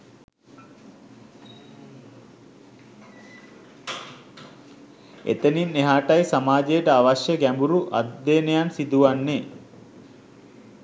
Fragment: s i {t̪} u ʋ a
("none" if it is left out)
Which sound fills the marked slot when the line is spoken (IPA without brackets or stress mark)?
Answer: d̪